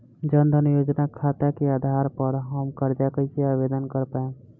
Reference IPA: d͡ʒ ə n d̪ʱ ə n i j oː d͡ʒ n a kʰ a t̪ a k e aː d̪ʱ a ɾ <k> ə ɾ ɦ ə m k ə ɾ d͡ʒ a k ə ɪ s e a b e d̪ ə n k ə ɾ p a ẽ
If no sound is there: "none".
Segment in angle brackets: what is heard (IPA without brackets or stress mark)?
p